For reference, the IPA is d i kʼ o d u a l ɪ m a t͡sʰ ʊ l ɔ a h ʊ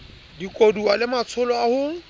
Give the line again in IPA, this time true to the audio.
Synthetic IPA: d i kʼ o d u a l ɪ m a t͡sʰ ʊ l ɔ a h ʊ